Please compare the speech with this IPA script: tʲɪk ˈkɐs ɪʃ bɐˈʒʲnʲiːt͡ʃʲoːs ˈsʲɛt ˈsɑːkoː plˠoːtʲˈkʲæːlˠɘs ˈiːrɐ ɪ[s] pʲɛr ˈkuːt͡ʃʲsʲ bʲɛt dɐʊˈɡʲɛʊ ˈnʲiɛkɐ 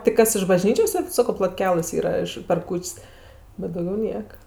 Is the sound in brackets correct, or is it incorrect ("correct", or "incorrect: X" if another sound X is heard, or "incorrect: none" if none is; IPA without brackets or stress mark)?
incorrect: ʃ